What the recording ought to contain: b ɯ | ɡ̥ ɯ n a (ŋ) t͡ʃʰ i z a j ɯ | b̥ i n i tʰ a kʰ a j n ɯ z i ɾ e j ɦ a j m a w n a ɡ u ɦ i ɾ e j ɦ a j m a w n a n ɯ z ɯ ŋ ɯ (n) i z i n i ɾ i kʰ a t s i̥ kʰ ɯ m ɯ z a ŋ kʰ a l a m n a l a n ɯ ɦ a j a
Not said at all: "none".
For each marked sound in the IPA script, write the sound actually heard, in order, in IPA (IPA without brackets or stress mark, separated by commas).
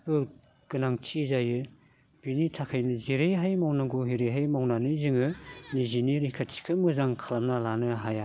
ŋ, n